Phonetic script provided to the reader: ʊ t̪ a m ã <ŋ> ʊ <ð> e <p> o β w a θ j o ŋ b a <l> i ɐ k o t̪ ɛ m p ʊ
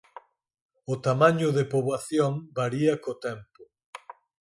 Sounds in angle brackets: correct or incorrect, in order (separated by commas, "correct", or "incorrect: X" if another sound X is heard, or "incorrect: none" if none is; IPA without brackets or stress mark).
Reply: incorrect: ɲ, correct, correct, incorrect: ɾ